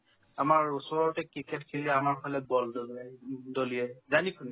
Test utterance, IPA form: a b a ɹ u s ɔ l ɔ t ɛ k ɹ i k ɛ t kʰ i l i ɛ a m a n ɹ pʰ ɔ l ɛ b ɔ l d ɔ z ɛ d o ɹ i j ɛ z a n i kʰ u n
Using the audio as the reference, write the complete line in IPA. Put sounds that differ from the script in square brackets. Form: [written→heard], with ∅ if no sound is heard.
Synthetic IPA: a [b→m] a ɹ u s ɔ [l→ɹ] ɔ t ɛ k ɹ i k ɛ t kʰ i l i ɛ a m a [n→∅] ɹ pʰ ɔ l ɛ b ɔ l d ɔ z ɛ d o [ɹ→l] i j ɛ z a n i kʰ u n